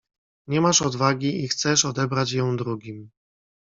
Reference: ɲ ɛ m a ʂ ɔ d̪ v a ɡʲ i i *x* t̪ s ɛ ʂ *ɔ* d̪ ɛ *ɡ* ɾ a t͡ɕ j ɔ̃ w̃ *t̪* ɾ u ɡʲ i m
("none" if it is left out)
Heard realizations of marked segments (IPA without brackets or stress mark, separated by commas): x, ɔ, b, d̪